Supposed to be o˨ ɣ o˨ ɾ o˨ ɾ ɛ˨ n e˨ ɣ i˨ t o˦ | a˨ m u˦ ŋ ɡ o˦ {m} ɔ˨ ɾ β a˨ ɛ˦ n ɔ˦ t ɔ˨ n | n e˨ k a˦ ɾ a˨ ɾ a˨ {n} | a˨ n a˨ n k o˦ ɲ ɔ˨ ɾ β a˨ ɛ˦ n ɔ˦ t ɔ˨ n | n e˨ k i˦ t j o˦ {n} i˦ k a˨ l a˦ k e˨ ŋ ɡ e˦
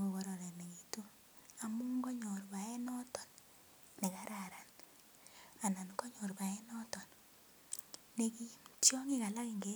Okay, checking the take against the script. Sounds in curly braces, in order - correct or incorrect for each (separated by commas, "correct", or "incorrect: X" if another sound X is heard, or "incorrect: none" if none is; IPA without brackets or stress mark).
incorrect: ɲ, correct, incorrect: ŋ